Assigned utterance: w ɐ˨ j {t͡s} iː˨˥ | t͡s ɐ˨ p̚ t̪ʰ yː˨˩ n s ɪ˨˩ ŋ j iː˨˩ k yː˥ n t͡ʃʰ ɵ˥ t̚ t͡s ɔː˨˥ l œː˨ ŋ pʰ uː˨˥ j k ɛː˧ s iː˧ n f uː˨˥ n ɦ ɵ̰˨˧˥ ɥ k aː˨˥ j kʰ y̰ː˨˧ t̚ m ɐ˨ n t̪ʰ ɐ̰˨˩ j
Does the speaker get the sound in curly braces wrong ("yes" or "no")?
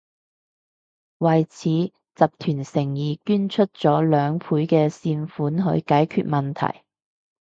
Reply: yes